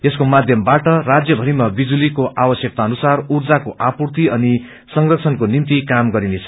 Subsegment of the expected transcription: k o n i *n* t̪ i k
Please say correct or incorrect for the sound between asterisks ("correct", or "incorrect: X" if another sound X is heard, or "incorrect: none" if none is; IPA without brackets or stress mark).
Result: incorrect: m